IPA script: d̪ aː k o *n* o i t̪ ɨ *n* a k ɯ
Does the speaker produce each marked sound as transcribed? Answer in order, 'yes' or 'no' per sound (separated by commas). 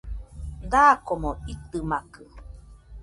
no, no